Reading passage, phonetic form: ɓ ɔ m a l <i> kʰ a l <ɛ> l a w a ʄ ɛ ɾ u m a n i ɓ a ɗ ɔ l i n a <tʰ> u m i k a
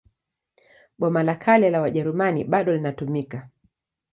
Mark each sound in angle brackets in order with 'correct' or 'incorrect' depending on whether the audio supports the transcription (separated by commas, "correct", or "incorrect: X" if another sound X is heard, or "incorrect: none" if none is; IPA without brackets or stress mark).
incorrect: a, correct, incorrect: t